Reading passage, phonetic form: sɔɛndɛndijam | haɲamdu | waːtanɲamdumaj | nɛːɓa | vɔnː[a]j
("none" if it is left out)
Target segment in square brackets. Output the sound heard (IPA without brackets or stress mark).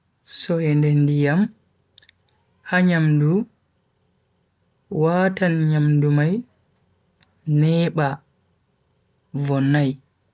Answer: a